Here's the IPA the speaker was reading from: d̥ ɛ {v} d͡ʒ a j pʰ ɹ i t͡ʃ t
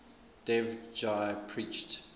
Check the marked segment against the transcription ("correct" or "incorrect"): correct